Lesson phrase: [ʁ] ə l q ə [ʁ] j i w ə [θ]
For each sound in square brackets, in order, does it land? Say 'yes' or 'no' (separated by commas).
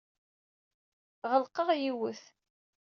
yes, yes, yes